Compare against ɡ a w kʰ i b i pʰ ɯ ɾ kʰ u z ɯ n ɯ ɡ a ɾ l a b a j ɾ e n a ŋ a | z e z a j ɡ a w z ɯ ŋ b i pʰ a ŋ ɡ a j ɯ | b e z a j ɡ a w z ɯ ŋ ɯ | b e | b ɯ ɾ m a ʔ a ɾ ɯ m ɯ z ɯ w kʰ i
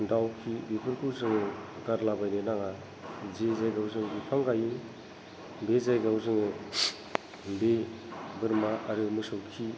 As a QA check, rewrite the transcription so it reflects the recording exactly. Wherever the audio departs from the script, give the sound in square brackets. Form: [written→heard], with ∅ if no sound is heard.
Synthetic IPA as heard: [ɡ→d] a w kʰ i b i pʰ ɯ ɾ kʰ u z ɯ [n→ŋ] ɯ ɡ a ɾ l a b a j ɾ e n a ŋ a | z e z a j ɡ a w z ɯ ŋ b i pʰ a ŋ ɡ a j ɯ | b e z a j ɡ a w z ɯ ŋ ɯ | b e | b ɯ ɾ m a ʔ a ɾ ɯ m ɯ [z→s] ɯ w kʰ i